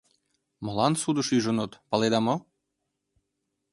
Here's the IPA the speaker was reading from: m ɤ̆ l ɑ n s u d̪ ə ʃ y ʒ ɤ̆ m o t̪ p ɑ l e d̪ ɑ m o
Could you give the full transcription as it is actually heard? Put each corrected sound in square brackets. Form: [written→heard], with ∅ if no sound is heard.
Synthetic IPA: m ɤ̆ l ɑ n s u d̪ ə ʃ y ʒ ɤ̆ [m→n] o t̪ p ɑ l e d̪ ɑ m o